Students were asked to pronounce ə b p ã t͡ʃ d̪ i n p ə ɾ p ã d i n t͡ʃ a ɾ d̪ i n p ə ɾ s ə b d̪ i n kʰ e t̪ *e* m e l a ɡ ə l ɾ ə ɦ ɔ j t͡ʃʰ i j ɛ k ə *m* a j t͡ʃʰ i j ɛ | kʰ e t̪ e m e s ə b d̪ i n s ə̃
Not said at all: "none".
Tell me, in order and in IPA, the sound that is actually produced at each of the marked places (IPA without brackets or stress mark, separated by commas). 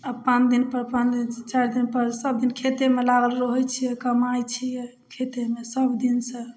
e, m